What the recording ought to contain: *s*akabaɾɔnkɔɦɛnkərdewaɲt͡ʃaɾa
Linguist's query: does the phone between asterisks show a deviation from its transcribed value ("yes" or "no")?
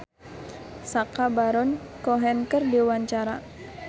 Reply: no